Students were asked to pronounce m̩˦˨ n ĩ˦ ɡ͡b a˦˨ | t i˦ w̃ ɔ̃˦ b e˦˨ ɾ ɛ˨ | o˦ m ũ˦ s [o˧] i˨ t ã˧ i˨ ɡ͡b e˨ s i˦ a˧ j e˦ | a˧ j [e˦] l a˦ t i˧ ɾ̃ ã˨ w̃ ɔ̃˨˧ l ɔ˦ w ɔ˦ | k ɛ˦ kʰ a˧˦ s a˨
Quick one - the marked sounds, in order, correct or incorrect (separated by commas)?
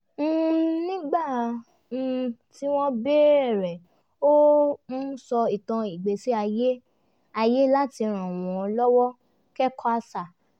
incorrect, correct